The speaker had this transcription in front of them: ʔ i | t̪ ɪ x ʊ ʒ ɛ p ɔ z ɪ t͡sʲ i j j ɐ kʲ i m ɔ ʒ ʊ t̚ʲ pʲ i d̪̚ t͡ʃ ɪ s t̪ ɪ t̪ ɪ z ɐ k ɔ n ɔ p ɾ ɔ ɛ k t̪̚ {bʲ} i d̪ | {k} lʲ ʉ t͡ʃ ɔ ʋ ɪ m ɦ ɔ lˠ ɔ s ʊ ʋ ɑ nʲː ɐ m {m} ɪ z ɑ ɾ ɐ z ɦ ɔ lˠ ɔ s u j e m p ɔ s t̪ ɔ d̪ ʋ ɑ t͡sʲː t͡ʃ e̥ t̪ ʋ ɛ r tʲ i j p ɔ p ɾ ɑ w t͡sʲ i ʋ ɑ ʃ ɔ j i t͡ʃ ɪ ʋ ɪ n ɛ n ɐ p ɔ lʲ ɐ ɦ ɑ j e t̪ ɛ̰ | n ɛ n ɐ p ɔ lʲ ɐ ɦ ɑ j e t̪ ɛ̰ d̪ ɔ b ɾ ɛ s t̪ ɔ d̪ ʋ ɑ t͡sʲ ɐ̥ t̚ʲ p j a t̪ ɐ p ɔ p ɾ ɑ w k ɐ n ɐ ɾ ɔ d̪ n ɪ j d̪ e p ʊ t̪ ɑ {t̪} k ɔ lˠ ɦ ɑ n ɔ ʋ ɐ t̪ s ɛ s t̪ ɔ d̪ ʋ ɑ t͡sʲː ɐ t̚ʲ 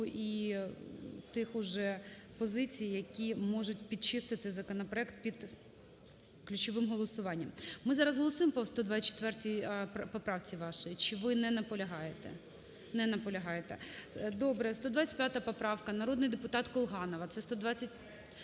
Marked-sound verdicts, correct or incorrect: incorrect, correct, correct, correct

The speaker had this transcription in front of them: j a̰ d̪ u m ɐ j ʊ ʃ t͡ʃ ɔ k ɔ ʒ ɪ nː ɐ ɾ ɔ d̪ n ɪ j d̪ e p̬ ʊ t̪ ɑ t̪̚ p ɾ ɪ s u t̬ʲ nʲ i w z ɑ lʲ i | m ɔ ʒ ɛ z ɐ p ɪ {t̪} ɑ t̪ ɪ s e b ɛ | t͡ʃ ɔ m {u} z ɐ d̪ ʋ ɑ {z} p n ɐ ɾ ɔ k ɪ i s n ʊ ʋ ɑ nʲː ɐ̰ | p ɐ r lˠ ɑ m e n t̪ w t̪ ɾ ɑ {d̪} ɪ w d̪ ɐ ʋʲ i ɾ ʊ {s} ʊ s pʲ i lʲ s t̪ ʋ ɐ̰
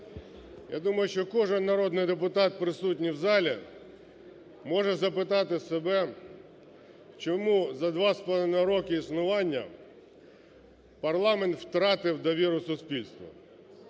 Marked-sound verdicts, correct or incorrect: correct, correct, incorrect, incorrect, correct

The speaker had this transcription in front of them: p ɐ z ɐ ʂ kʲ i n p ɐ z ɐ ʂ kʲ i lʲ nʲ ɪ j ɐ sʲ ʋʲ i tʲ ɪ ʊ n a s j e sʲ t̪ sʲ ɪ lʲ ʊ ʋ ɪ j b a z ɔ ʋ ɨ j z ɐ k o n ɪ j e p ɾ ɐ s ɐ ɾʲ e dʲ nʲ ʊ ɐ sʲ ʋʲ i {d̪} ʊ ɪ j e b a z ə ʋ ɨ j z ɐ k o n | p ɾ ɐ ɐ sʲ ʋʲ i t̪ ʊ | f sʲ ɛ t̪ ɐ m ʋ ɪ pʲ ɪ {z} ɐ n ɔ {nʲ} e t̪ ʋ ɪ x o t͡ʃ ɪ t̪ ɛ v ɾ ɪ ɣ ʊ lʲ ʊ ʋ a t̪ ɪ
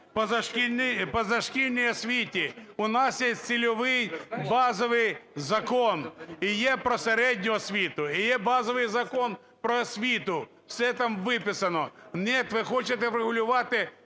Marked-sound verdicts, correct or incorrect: incorrect, incorrect, correct

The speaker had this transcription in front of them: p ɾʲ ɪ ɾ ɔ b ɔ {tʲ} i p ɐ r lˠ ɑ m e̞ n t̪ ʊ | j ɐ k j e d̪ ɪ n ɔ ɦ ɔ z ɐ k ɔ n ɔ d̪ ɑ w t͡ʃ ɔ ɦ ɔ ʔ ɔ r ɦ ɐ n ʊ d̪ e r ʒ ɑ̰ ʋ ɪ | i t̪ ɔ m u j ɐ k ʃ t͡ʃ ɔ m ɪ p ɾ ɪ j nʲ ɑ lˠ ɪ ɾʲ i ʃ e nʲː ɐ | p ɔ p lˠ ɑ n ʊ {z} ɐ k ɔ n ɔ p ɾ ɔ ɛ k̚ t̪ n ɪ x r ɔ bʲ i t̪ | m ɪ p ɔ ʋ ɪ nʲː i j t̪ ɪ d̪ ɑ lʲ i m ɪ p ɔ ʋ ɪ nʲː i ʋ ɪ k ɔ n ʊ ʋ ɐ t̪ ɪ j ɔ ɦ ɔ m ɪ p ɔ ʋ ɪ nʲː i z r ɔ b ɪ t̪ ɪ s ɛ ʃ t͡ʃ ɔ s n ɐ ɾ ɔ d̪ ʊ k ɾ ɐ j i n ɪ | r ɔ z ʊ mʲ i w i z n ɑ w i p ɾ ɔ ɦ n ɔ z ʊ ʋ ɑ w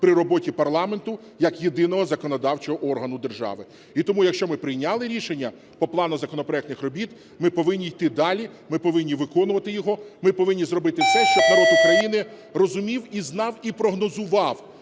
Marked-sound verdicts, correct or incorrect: correct, correct

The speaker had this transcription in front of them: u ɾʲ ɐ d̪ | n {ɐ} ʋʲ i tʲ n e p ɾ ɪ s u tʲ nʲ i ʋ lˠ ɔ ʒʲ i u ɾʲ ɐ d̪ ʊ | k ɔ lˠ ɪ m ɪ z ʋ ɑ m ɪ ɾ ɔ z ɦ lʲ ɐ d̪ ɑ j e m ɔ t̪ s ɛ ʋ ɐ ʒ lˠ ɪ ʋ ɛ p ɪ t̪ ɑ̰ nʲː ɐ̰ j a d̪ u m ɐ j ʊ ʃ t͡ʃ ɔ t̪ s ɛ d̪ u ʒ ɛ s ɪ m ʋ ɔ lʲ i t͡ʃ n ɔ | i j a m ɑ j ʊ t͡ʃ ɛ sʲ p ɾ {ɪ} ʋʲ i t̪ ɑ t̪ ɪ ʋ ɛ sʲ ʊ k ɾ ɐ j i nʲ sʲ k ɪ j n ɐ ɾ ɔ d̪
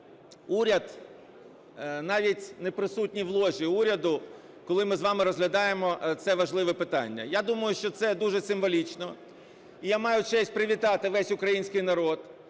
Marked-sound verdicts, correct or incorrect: incorrect, correct

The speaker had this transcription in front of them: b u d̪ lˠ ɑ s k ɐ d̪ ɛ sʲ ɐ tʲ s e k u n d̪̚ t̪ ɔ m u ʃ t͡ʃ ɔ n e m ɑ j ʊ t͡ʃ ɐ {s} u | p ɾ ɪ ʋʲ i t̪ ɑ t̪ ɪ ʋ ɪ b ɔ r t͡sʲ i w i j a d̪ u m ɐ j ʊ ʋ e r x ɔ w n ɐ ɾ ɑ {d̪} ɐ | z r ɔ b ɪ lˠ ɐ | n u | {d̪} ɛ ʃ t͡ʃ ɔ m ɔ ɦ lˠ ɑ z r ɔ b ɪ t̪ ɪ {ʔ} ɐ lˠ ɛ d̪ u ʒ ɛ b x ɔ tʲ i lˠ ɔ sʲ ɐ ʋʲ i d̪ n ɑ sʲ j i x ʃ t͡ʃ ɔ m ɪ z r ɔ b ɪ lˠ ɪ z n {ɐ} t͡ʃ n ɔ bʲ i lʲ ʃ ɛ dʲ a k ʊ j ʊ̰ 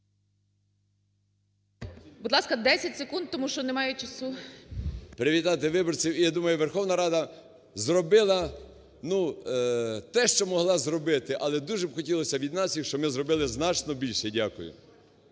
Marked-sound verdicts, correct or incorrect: correct, correct, incorrect, correct, incorrect

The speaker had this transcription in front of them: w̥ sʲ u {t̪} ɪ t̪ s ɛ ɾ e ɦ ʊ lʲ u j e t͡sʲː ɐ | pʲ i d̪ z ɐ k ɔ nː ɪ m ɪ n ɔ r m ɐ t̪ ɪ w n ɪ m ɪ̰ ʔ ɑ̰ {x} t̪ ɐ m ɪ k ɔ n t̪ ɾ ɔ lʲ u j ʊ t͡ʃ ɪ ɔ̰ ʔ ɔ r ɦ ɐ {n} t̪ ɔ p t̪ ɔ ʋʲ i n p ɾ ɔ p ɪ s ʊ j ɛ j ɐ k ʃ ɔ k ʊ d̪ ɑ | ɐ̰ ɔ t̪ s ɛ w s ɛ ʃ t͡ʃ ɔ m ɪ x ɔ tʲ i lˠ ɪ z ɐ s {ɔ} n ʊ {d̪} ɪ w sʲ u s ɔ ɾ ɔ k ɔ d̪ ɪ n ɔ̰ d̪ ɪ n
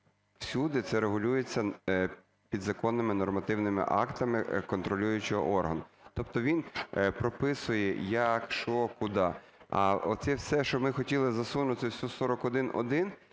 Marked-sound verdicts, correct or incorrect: incorrect, incorrect, correct, incorrect, incorrect

